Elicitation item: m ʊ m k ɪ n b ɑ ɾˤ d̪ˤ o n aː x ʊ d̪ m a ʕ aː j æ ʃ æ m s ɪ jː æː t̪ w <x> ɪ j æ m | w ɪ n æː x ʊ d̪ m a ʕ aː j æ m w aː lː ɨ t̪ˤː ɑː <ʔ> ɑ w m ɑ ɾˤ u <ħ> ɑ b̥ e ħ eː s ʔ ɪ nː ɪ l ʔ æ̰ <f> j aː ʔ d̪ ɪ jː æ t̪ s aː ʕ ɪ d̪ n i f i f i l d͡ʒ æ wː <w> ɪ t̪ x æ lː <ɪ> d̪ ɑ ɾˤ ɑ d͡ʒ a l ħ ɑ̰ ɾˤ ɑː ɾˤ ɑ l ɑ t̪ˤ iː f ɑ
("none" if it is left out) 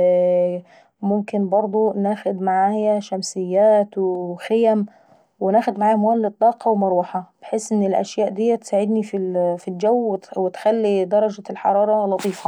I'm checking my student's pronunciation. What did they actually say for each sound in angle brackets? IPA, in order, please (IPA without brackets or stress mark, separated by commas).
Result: x, q, ħ, ʃ, w, i